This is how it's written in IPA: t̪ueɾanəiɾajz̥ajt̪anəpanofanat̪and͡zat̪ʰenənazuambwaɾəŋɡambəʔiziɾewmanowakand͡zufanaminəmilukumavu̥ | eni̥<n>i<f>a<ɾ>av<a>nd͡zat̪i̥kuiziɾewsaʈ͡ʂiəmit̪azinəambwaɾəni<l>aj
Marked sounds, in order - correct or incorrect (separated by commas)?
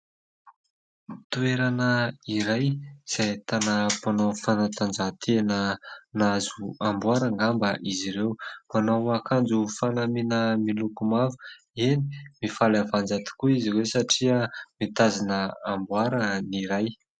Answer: incorrect, correct, incorrect, correct, incorrect